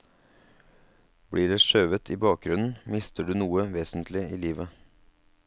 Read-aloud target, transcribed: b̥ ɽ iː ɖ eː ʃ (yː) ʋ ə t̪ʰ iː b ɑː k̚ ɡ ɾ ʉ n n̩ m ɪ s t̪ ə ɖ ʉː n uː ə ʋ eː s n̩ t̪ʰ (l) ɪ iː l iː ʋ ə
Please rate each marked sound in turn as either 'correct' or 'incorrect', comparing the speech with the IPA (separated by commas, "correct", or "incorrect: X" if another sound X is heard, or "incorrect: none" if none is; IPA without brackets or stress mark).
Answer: incorrect: øː, correct